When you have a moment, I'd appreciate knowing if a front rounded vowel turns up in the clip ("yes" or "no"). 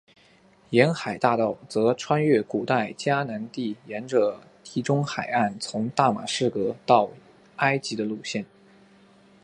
no